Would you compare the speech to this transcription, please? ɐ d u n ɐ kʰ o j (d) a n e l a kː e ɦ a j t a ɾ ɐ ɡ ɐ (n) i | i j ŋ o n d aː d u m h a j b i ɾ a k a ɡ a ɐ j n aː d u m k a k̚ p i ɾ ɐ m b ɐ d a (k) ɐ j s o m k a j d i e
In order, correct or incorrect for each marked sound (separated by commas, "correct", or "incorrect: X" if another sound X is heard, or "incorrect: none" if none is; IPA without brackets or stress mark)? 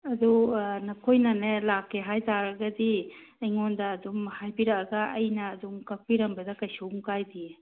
incorrect: n, incorrect: d, correct